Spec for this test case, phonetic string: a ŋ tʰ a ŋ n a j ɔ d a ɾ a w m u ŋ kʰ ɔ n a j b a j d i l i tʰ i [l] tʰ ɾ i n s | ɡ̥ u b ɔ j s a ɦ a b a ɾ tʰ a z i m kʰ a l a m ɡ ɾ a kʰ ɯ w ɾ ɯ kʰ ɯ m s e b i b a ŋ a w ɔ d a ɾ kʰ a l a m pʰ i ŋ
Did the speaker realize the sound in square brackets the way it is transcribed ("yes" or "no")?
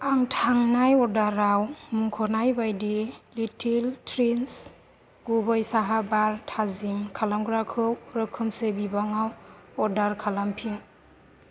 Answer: yes